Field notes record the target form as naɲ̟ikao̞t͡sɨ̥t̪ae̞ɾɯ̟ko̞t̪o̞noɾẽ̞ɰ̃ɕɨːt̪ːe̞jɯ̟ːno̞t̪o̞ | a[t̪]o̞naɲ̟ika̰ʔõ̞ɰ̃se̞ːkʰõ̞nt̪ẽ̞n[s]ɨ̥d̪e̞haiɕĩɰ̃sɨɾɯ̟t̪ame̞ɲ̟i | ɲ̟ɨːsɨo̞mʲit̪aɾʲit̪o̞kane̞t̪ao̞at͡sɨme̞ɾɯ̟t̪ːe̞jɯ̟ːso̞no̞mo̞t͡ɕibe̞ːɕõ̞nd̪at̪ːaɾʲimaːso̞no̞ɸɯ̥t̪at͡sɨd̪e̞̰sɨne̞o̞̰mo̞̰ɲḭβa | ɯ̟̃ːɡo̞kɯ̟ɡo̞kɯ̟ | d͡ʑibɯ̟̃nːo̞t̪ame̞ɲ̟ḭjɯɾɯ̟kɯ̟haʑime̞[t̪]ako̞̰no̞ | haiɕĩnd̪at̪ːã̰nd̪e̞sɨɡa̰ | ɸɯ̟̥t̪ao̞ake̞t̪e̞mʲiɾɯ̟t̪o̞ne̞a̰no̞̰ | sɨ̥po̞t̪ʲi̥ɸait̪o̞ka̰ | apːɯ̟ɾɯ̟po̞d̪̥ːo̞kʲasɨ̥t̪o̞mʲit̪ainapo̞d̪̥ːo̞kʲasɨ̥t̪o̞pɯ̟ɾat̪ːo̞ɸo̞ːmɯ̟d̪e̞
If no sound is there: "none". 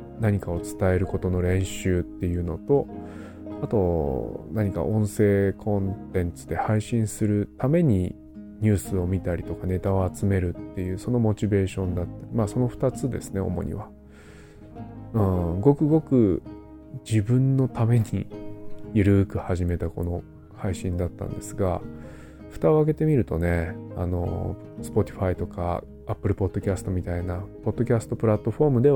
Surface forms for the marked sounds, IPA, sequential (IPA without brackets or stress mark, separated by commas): t̪, t͡s, t̪